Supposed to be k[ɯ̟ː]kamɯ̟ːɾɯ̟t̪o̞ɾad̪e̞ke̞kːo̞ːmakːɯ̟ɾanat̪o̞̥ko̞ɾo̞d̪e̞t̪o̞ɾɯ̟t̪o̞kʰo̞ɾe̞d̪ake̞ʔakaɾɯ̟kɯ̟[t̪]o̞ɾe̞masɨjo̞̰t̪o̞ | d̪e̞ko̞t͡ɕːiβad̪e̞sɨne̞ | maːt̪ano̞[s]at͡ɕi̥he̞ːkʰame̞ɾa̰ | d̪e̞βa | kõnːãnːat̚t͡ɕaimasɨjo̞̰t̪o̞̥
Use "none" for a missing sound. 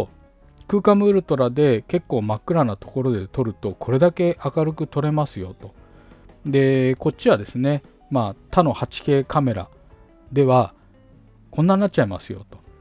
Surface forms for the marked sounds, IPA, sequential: ɯ̟ː, t̪, h

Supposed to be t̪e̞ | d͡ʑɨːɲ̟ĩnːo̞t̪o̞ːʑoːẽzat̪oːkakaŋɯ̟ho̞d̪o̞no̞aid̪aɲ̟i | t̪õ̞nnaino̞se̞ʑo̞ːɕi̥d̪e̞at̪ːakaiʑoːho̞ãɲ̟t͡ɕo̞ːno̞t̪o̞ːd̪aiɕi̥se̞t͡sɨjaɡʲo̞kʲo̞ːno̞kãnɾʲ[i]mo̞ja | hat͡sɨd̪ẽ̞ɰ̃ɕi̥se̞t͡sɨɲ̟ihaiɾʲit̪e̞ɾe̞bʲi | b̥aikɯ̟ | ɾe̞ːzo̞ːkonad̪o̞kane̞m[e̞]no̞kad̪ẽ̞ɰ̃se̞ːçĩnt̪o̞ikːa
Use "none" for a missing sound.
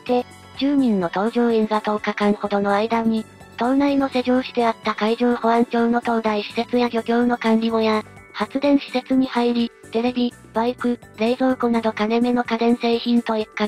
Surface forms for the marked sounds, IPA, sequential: i, e̞

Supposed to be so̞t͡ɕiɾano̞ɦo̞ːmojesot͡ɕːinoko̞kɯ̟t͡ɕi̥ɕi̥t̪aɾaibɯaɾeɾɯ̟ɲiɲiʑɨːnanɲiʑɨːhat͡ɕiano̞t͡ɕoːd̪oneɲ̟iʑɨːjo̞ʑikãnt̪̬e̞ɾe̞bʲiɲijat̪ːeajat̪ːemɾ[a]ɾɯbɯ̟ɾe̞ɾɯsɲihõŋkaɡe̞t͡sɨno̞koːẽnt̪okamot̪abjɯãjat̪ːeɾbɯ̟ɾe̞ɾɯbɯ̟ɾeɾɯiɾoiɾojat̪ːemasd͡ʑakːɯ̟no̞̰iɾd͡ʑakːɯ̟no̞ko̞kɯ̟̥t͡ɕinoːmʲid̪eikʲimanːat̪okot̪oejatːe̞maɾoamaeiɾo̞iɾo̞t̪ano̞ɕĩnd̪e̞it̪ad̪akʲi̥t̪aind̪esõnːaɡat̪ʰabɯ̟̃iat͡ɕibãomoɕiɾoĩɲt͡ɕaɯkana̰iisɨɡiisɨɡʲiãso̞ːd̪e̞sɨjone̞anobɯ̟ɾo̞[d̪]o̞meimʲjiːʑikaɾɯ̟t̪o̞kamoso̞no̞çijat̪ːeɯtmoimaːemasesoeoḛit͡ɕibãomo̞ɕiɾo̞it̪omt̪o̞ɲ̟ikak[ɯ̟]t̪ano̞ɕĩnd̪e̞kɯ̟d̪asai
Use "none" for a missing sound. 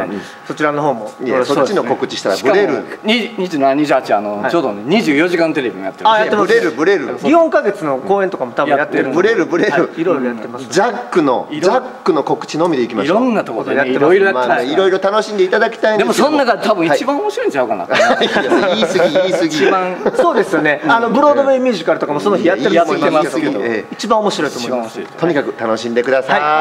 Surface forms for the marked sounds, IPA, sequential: e, d̪, ɯ̟

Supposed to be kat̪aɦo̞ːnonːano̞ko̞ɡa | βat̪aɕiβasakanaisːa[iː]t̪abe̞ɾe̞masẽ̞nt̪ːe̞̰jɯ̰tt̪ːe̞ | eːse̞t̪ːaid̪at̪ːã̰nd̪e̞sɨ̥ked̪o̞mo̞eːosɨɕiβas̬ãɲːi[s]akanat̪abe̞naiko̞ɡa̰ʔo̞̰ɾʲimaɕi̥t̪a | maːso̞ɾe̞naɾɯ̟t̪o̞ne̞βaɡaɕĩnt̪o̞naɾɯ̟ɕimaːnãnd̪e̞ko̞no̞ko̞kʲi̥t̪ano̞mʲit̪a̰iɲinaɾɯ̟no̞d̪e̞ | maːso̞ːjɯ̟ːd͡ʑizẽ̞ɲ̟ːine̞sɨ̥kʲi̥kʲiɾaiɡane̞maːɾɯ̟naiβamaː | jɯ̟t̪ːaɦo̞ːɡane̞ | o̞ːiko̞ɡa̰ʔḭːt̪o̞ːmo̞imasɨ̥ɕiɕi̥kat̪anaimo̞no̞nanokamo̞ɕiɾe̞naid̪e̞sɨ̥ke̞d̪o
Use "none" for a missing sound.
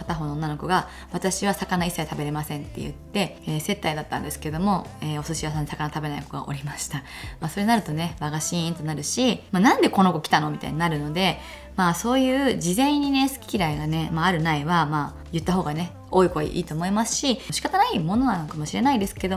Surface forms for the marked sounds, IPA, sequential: i, s

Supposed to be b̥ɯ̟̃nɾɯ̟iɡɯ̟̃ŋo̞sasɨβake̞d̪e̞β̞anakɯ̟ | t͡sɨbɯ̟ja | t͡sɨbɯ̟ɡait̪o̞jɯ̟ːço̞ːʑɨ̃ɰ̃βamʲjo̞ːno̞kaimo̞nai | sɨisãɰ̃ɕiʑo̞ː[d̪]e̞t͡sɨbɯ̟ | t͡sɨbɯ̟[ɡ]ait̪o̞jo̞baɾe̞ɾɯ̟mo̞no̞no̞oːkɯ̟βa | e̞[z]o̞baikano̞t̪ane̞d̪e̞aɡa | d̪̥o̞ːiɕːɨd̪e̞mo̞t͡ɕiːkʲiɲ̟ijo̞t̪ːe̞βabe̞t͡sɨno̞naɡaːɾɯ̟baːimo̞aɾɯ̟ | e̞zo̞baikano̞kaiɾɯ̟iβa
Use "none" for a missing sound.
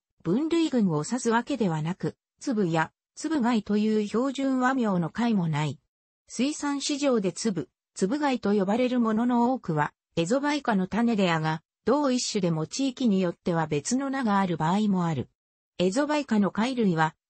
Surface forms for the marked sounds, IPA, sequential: d̪, ɡ, z

